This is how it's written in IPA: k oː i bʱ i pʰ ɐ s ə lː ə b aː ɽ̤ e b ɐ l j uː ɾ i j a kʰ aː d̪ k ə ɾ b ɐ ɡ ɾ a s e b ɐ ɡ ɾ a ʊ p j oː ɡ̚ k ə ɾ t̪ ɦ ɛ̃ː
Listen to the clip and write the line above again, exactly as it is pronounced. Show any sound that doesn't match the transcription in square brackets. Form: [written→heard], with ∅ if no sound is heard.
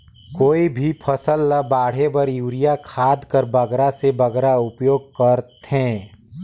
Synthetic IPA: k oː i bʱ i pʰ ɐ s ə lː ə b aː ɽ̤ e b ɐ [l→ɾ] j uː ɾ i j a kʰ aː d̪ k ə ɾ b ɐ ɡ ɾ a s e b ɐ ɡ ɾ a ʊ p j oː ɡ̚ k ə ɾ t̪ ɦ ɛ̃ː